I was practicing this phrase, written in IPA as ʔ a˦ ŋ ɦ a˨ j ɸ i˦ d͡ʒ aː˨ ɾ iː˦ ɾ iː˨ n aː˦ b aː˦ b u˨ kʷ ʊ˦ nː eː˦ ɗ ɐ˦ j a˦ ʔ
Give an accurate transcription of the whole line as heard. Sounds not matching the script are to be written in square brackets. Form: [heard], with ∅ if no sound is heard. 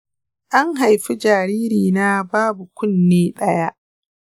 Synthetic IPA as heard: ʔ a˦ ŋ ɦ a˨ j ɸ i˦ d͡ʒ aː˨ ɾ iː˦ ɾ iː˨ n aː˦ b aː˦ b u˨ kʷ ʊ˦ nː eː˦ ɗ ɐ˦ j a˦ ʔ